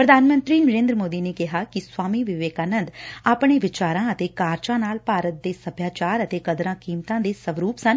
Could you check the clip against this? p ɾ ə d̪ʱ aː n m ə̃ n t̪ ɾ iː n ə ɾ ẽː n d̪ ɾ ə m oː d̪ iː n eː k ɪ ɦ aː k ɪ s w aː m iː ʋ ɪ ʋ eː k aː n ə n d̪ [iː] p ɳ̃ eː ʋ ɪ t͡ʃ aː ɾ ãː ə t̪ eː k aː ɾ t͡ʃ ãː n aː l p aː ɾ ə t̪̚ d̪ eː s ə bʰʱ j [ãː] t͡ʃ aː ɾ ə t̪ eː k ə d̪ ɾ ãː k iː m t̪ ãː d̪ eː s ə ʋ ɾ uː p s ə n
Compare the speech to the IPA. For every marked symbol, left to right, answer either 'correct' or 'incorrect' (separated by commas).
incorrect, incorrect